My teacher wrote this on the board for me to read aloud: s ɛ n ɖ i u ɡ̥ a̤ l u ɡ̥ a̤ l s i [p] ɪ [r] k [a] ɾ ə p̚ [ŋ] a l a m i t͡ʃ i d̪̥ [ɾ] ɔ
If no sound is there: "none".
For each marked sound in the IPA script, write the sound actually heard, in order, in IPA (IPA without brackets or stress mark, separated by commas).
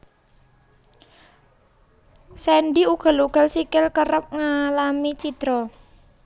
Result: k, l, ə, ŋ, ɾ